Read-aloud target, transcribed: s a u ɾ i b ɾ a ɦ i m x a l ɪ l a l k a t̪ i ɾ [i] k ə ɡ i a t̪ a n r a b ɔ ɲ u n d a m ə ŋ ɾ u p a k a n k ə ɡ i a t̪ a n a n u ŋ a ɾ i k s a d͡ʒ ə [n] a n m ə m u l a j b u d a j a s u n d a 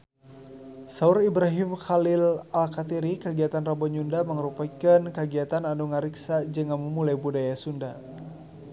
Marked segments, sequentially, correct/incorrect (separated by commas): correct, incorrect